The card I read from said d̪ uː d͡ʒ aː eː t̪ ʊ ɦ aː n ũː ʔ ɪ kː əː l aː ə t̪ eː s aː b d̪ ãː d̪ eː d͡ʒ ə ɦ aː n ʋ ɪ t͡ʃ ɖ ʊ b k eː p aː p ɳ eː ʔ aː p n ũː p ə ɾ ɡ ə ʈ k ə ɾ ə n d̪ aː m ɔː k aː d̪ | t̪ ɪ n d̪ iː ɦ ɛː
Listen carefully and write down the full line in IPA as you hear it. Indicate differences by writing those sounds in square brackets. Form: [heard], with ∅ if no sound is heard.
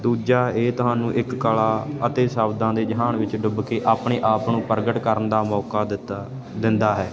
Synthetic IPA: d̪ uː d͡ʒ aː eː t̪ ʊ ɦ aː n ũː ʔ ɪ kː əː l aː ə t̪ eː s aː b d̪ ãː d̪ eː d͡ʒ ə ɦ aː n ʋ ɪ t͡ʃ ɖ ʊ b k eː [ʔ] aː p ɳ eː ʔ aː p n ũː p ə ɾ ɡ ə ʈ k ə ɾ ə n d̪ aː m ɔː k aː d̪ | [d̪] ɪ n d̪ [aː] ɦ ɛː